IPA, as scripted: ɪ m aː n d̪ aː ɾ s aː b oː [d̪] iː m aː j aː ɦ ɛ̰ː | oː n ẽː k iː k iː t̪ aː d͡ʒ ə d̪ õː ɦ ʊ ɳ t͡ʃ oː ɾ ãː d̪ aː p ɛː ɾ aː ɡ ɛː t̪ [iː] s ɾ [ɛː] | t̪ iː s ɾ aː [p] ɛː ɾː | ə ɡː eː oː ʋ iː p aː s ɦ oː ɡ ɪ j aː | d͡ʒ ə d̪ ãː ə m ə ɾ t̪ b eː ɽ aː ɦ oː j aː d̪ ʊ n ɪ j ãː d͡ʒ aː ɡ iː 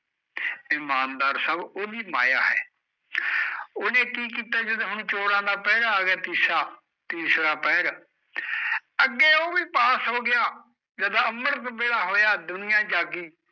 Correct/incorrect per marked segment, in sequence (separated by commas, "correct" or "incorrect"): correct, correct, incorrect, correct